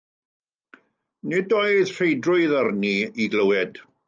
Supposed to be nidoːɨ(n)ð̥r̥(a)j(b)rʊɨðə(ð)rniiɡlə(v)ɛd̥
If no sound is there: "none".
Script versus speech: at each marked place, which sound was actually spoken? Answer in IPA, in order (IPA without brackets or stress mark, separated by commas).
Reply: none, e, d, none, w